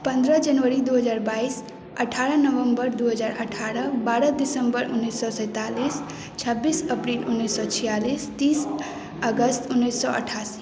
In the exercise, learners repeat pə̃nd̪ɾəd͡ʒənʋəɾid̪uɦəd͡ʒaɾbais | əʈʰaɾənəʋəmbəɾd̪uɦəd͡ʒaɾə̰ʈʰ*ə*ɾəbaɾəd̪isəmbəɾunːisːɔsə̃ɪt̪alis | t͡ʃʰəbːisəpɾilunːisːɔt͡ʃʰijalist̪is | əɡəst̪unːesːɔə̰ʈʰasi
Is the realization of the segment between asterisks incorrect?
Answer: yes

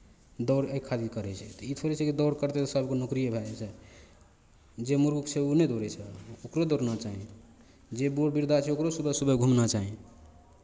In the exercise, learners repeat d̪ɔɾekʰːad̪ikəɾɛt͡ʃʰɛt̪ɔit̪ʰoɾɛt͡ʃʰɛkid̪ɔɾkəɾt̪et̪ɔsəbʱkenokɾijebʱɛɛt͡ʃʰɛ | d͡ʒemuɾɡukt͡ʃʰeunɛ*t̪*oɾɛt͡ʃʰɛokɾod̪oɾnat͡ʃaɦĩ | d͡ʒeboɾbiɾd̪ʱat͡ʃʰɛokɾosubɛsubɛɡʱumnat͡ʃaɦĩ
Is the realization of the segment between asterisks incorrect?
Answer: yes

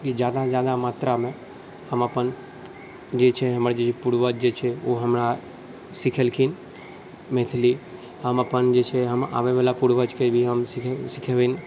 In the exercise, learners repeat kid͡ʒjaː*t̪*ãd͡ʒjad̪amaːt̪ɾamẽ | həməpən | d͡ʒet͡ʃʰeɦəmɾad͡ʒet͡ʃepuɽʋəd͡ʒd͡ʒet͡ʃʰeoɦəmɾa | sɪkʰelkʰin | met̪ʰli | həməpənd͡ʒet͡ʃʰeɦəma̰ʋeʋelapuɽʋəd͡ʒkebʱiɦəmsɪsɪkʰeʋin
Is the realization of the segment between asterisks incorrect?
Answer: yes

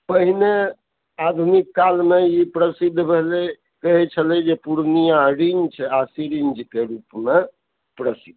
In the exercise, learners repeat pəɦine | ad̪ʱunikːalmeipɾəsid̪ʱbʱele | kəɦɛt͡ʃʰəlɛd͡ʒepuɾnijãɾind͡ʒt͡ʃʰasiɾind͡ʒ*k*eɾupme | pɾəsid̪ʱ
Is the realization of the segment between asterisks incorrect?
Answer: no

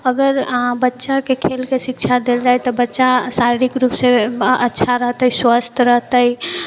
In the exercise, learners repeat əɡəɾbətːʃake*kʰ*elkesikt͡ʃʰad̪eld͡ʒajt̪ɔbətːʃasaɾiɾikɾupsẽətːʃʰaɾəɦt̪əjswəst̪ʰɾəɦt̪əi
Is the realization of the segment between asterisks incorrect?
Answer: no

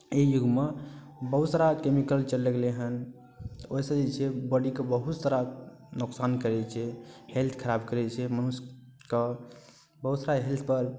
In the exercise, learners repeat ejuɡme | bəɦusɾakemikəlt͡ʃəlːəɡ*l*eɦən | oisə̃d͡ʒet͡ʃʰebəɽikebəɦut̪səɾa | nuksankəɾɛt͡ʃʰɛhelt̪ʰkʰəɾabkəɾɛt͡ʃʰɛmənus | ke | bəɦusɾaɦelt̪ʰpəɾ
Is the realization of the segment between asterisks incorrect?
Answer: no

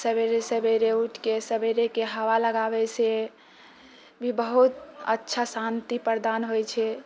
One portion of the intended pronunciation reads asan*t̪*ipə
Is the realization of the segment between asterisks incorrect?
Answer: no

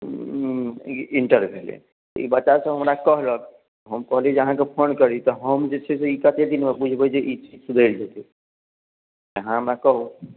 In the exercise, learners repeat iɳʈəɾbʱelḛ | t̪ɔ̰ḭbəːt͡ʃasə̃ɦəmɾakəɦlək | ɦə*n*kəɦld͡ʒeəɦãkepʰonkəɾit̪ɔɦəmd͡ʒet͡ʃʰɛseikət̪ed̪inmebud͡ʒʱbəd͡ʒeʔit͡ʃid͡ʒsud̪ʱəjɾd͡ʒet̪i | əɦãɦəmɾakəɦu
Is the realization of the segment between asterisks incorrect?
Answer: yes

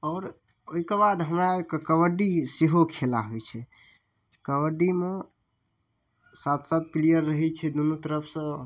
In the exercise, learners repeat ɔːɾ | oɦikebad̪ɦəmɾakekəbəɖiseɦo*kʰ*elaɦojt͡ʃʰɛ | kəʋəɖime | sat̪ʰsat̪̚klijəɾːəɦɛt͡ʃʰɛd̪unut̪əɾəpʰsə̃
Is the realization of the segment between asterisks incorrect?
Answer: no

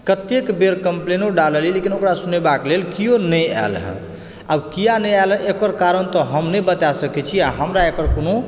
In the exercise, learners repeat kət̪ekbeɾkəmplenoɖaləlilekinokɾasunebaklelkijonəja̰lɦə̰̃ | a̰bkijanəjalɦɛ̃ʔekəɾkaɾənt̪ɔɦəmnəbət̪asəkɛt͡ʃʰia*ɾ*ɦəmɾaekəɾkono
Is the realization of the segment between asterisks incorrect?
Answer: yes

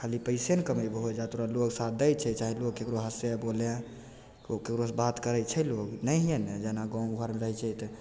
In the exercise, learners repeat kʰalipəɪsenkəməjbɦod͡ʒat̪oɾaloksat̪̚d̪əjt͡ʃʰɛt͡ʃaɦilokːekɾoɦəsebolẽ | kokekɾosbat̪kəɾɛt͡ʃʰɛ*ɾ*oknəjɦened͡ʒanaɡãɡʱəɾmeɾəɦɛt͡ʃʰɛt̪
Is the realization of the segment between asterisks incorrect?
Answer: yes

